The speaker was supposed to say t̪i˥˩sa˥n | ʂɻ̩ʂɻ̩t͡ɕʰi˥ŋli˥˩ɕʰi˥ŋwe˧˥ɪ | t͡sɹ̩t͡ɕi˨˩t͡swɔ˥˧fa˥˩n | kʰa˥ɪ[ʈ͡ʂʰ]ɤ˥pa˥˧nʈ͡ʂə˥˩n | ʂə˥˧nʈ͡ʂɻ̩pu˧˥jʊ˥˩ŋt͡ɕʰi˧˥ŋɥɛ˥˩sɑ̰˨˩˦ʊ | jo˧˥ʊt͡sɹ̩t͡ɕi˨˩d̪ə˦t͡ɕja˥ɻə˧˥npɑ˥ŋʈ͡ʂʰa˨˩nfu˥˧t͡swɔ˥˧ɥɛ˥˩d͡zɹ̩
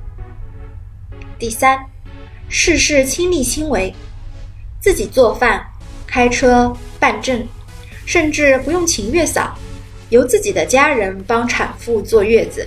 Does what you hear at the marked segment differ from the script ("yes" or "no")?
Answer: no